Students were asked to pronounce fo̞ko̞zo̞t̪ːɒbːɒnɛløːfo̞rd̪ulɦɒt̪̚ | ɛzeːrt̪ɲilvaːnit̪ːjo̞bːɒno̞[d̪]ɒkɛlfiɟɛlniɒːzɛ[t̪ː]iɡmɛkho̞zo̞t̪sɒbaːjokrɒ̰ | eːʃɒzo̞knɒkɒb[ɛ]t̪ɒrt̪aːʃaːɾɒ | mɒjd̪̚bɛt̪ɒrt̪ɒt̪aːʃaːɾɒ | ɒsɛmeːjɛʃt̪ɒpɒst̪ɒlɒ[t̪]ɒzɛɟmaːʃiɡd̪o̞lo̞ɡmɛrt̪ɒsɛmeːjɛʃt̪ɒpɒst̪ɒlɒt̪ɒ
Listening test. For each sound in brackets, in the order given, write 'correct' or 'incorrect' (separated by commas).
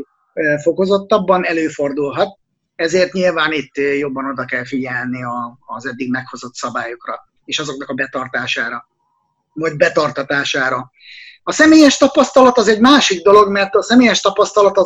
correct, incorrect, correct, correct